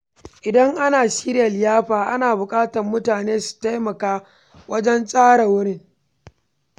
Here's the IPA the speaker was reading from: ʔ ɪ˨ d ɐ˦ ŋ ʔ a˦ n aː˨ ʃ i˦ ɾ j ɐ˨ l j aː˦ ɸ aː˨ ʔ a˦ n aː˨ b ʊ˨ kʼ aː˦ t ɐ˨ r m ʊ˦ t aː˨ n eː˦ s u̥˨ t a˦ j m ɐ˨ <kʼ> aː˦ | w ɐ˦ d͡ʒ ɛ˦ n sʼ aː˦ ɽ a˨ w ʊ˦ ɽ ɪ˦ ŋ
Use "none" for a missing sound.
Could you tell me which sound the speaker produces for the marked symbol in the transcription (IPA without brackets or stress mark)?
k